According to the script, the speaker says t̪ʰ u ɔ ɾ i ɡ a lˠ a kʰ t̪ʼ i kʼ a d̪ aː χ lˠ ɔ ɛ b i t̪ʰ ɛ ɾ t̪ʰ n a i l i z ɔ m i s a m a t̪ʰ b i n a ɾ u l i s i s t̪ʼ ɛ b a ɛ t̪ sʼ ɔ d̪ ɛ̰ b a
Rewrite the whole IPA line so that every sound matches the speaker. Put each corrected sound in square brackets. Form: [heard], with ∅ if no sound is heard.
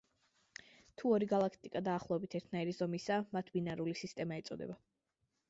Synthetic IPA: t̪ʰ u ɔ ɾ i ɡ a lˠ a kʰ t̪ʼ i kʼ a d̪ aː χ lˠ ɔ ɛ b i t̪ʰ ɛ ɾ t̪ʰ n a i [ɾ] i z ɔ m i s a m a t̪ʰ b i n a ɾ u l i s i s t̪ʼ ɛ [m] a ɛ t̪ sʼ ɔ d̪ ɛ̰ b a